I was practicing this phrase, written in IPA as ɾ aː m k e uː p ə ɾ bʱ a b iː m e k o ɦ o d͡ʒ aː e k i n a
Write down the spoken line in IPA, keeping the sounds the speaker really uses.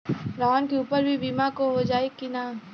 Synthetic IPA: ɾ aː n k e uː p ə ɾ bʱ i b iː m a k o ɦ o d͡ʒ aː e k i n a